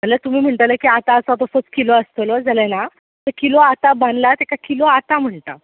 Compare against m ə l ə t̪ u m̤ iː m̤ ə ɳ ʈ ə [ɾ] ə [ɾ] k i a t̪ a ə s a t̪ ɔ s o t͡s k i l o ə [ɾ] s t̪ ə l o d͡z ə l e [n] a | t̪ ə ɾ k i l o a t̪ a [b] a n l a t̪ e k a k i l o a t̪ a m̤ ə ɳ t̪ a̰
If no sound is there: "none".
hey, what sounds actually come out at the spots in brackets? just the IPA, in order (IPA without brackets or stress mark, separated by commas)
l, none, none, n, b